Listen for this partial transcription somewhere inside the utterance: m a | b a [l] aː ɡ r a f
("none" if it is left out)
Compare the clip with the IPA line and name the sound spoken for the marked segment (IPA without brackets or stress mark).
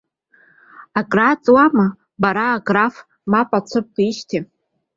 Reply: ɾ